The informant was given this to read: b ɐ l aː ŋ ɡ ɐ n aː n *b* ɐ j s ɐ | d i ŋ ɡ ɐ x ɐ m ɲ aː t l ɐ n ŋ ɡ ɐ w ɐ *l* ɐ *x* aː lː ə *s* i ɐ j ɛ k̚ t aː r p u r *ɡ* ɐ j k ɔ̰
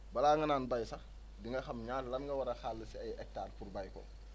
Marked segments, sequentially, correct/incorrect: correct, incorrect, correct, correct, incorrect

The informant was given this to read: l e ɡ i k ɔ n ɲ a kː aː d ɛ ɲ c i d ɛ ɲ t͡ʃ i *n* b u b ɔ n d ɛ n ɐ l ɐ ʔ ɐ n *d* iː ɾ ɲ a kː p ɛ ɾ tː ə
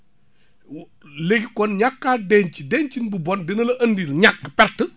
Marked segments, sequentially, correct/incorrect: correct, correct

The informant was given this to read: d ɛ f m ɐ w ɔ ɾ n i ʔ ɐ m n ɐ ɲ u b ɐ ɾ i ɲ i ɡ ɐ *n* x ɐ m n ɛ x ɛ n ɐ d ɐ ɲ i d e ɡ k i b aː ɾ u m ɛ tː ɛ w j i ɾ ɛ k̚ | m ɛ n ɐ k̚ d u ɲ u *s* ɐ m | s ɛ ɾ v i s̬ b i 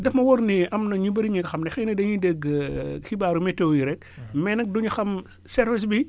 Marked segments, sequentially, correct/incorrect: incorrect, incorrect

